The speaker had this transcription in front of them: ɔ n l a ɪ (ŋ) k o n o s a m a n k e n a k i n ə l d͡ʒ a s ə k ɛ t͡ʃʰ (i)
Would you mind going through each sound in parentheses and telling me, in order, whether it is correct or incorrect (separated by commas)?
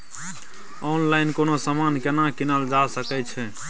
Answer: incorrect, incorrect